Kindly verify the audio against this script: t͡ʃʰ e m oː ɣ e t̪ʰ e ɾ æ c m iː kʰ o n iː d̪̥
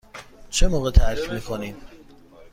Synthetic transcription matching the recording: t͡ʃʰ e m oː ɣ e t̪ʰ æ ɾ i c m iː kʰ o n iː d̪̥